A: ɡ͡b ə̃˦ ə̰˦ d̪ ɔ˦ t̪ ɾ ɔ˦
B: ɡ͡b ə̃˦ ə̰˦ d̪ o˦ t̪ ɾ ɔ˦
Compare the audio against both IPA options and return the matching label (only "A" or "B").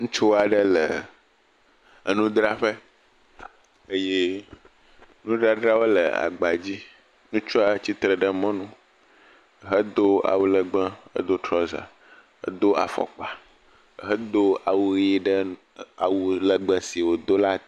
B